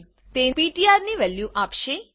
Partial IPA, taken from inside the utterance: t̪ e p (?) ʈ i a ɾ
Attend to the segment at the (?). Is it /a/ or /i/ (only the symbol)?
i